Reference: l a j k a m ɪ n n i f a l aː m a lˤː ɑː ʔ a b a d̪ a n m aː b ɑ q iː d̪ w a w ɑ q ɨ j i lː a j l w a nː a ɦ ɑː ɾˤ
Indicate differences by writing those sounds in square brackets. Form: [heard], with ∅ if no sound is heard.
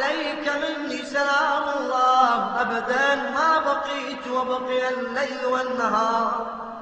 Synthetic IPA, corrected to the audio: l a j k a m ɪ n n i [s] a l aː m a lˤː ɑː ʔ a b a d̪ a n m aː b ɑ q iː [t̪] w a [b] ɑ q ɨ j [a] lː a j l w a nː a ɦ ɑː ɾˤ